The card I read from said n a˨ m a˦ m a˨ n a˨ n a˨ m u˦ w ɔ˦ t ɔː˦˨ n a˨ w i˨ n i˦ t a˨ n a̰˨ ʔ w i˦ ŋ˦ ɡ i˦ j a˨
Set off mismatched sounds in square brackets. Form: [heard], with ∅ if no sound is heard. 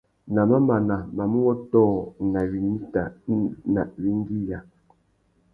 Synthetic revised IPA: n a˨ m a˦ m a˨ n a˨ [m] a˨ m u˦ w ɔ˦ t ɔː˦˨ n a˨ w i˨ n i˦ t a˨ n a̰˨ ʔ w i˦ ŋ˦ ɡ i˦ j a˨